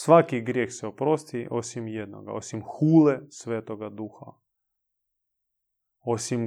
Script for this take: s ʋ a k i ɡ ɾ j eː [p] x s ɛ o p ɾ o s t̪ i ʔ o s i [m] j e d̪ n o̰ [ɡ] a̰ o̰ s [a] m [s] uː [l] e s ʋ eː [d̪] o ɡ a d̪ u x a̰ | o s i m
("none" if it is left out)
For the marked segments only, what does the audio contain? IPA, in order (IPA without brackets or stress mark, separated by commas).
none, m, ɡ, i, x, l, t̪